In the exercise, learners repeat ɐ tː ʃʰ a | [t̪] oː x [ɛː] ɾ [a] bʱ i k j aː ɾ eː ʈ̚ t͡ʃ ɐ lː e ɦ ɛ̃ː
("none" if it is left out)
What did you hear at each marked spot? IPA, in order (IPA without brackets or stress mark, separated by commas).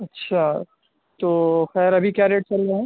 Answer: t̪, ɛː, ɐ